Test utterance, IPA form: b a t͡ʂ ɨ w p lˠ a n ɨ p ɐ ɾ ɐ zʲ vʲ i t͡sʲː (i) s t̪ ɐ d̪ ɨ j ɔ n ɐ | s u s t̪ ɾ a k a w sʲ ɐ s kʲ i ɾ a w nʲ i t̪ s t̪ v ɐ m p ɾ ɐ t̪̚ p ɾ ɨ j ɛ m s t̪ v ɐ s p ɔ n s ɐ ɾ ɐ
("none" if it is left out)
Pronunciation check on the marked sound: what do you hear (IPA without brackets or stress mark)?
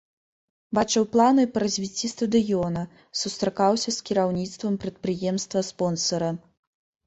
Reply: i